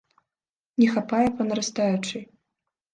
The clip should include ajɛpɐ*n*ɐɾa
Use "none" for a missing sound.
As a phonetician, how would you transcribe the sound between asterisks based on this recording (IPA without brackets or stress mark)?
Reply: n